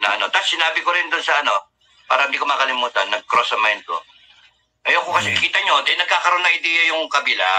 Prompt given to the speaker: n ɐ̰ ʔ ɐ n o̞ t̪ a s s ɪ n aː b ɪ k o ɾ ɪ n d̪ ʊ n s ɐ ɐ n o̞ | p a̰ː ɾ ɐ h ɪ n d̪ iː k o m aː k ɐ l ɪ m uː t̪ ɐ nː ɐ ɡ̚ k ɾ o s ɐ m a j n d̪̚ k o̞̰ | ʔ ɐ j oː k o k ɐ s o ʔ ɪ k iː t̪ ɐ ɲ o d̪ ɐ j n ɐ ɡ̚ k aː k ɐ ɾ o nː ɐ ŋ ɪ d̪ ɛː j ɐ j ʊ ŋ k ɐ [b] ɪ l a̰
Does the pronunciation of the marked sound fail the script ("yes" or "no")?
no